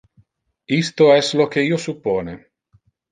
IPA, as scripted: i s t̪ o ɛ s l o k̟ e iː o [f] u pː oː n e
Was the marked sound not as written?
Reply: yes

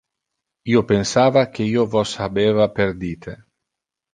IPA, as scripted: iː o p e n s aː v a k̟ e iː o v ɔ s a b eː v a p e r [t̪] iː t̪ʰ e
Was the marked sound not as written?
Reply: yes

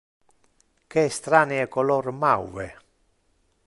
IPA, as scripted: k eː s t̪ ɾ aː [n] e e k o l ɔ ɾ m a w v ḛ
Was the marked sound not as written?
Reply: no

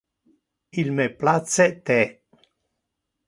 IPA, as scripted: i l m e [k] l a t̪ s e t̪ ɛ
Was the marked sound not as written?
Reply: yes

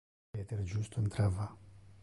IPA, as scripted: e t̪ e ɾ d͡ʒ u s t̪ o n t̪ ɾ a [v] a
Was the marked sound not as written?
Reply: no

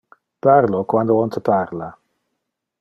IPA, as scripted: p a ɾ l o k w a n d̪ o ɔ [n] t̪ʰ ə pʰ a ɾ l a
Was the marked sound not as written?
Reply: no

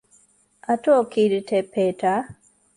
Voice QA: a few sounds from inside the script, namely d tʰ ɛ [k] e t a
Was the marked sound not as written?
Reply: yes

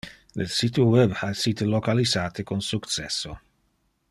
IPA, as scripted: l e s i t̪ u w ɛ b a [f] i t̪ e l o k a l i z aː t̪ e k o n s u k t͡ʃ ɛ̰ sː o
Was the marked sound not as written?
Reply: yes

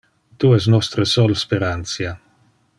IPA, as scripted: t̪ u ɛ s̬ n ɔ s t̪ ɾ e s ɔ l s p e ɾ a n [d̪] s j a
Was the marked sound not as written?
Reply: yes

